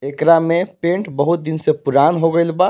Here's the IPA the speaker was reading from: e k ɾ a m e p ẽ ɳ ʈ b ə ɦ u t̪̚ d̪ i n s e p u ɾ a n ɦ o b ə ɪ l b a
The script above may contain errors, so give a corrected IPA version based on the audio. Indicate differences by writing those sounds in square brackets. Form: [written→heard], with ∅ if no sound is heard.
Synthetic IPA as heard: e k ɾ a m e p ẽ ɳ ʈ b ə ɦ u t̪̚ d̪ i n s e p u ɾ a n ɦ o [b→ɡ] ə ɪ l b a